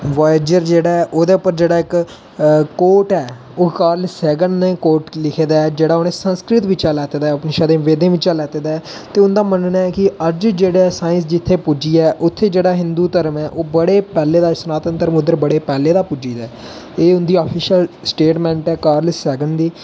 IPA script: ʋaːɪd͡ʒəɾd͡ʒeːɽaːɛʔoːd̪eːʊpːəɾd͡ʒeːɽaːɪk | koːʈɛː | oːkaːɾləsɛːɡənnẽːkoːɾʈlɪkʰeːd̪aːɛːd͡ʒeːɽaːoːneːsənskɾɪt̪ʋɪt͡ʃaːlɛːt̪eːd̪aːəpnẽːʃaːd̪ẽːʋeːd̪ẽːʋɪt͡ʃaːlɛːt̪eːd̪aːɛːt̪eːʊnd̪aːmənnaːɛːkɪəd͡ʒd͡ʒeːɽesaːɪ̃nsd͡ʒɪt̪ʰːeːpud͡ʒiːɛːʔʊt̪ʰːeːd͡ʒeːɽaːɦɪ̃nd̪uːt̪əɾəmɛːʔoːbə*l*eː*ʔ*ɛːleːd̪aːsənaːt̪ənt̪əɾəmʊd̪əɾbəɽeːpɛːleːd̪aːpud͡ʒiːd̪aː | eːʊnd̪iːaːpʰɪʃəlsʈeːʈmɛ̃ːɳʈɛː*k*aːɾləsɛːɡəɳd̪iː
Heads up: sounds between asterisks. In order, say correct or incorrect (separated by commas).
incorrect, incorrect, correct